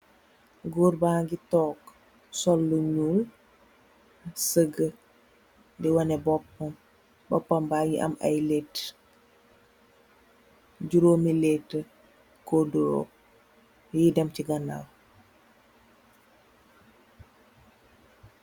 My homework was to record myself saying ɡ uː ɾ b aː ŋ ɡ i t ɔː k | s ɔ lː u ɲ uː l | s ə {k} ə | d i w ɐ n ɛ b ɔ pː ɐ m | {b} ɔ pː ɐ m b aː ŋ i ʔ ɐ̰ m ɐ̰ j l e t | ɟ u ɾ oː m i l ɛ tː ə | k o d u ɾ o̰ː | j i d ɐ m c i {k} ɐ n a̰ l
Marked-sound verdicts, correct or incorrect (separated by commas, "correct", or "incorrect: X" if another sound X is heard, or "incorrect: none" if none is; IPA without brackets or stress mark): incorrect: ɡ, correct, incorrect: ɡ